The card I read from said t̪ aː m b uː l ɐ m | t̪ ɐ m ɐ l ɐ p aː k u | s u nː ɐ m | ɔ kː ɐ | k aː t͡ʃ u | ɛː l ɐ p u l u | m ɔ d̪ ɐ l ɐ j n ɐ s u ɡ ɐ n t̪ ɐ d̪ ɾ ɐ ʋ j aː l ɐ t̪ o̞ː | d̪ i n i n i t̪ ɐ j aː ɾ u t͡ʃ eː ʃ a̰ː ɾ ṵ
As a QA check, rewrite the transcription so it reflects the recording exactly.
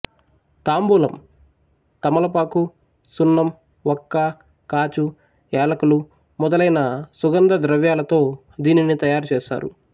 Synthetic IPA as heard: t̪ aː m b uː l ɐ m | t̪ ɐ m ɐ l ɐ p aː k u | s u nː ɐ m | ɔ kː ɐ | k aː t͡ʃ u | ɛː l ɐ k u l u | m ɔ d̪ ɐ l ɐ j n ɐ s u ɡ ɐ n d̪ ɐ d̪ ɾ ɐ ʋ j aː l ɐ t̪ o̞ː | d̪ iː n i n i t̪ ɐ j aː ɾ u t͡ʃ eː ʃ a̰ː ɾ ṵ